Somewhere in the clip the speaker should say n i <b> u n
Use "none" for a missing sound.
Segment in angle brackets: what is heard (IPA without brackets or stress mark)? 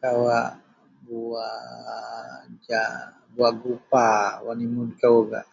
m